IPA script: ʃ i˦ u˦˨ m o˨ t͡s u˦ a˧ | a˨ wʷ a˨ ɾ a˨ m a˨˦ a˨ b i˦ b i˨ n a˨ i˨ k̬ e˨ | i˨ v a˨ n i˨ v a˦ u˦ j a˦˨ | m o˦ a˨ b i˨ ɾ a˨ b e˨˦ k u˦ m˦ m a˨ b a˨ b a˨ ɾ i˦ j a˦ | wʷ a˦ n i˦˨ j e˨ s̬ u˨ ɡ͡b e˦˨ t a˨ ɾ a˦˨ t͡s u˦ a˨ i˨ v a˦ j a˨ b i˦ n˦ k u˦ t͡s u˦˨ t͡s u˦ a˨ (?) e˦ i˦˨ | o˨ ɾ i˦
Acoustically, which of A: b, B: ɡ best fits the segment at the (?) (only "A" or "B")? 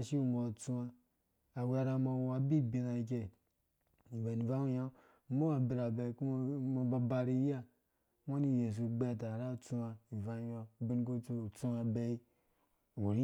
A